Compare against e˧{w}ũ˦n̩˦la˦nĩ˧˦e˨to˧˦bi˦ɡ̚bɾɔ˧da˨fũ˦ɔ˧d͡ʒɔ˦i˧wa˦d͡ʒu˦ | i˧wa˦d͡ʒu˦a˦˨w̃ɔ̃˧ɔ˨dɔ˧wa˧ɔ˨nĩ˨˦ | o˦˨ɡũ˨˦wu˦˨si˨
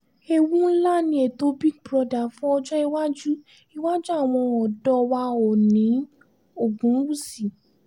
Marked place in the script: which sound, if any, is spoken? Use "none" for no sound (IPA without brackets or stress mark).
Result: w